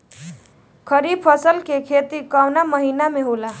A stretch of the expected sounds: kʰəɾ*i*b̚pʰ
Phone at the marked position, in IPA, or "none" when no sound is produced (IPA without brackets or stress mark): i